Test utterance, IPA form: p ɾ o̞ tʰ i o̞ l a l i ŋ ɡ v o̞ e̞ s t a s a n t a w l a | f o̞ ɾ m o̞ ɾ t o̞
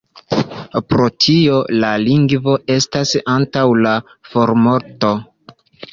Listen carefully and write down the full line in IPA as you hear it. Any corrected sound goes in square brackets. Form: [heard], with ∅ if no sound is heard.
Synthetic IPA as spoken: p ɾ o̞ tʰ i o̞ l a l i ŋ ɡ v o̞ e̞ s t a s a n t a w l a | f o̞ ɾ m o̞ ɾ t o̞